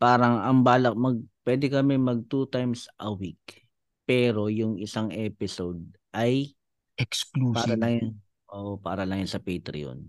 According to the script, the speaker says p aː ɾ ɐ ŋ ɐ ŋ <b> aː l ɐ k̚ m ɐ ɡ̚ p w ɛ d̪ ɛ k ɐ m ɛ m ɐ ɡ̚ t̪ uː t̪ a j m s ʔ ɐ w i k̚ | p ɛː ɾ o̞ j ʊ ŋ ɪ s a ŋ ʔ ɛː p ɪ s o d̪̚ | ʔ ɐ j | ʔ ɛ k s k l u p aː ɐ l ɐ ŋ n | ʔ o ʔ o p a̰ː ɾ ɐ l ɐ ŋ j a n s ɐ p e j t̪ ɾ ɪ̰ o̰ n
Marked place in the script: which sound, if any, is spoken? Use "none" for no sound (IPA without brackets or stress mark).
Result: b